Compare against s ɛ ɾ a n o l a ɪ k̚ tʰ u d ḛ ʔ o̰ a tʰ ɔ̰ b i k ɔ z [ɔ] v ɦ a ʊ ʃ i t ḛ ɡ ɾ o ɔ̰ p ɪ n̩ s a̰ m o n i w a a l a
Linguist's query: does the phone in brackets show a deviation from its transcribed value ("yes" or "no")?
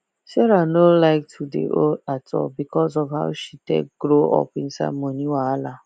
no